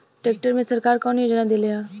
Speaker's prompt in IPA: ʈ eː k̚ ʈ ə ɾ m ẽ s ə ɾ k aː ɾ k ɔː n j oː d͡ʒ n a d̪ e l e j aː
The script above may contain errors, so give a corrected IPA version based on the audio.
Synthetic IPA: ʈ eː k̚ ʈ ə ɾ m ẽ s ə ɾ k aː ɾ k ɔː n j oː d͡ʒ n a d̪ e l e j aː